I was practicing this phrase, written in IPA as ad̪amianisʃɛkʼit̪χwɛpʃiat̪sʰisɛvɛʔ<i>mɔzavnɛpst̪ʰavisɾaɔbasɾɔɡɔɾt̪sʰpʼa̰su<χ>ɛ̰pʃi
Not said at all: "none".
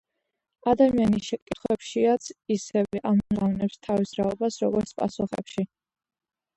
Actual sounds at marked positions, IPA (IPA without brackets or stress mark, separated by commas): a, χ